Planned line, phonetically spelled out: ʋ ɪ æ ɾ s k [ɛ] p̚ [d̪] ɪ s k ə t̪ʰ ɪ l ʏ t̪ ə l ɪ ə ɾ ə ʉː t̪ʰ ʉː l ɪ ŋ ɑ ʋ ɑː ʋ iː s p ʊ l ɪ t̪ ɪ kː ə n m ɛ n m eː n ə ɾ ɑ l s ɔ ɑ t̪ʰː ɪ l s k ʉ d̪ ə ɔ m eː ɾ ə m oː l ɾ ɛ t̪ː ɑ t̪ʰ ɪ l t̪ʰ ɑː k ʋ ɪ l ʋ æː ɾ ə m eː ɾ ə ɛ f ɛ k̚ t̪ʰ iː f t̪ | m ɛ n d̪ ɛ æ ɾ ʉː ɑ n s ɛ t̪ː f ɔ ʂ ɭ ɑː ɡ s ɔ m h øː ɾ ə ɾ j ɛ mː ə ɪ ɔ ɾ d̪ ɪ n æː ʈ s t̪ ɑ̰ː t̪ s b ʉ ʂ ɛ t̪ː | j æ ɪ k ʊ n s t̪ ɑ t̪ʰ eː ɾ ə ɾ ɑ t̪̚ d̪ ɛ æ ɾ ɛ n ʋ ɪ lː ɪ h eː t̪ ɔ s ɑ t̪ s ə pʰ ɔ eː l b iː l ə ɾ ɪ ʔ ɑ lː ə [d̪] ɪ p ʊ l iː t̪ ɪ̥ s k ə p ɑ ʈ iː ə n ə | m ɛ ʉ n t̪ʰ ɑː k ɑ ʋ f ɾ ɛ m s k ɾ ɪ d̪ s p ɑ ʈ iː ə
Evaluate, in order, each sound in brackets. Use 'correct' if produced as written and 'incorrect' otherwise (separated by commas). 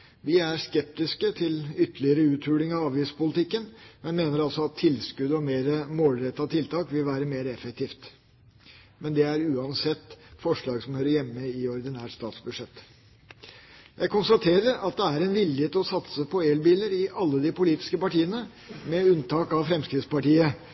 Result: correct, incorrect, correct